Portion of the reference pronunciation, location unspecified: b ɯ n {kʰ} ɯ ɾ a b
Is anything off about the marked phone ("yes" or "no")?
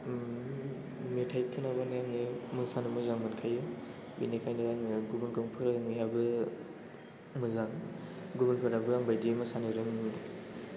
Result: yes